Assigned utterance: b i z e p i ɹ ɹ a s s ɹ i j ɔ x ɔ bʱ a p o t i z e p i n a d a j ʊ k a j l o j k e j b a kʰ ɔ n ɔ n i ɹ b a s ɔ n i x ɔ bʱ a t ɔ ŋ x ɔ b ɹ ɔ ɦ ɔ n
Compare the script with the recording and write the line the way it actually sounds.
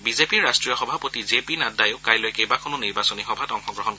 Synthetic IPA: b i z e p i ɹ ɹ a s t ɹ i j ɔ x ɔ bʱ a p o t i z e p i n a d a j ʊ k a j l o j k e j b a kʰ ɔ n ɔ n i ɹ b a s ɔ n i x ɔ bʱ a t ɔ ŋ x ɔ ɡ ɹ ɔ ɦ ɔ n